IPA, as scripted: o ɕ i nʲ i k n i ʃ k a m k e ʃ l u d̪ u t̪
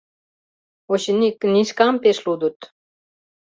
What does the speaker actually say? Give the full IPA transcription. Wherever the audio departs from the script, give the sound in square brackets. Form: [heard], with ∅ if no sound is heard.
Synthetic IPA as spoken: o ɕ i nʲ i k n i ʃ k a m [p] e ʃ l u d̪ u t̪